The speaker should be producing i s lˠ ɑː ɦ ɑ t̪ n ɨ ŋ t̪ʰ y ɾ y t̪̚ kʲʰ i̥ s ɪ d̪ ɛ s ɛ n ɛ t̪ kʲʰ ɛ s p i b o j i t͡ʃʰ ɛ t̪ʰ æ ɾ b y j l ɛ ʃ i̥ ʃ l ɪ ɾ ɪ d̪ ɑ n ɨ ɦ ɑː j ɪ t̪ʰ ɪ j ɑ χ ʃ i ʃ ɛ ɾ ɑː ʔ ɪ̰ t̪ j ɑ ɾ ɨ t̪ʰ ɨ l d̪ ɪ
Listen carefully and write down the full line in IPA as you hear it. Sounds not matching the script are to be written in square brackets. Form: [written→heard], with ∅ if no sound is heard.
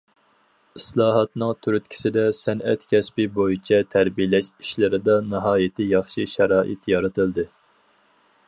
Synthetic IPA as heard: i s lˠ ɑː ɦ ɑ t̪ n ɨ ŋ t̪ʰ y ɾ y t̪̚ kʲʰ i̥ s ɪ d̪ ɛ s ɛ n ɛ t̪ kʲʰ ɛ s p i b o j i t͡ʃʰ ɛ t̪ʰ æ ɾ b [y→i] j l ɛ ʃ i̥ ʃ l ɪ ɾ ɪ d̪ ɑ n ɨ ɦ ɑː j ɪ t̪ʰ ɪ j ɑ χ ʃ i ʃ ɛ ɾ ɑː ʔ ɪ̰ t̪ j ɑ ɾ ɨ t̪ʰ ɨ l d̪ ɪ